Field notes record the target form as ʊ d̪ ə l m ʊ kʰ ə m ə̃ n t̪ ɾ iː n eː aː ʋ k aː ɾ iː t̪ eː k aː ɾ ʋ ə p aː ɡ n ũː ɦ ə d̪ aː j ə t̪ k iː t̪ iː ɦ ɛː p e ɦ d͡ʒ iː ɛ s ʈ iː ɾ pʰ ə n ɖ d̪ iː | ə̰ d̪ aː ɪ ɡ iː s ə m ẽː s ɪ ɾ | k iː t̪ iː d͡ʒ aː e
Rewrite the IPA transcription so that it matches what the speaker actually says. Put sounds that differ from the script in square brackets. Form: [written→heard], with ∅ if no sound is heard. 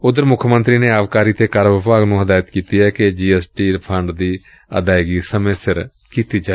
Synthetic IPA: ʊ d̪ ə [l→ɾ] m ʊ kʰ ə m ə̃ n t̪ ɾ iː n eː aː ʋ k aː ɾ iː t̪ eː k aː ɾ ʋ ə p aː ɡ n ũː ɦ ə d̪ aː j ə t̪ k iː t̪ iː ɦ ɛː [p→k] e [ɦ→∅] d͡ʒ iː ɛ s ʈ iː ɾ pʰ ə [n→ɳ] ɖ d̪ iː | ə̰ d̪ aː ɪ ɡ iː s ə m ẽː s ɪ ɾ | k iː t̪ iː d͡ʒ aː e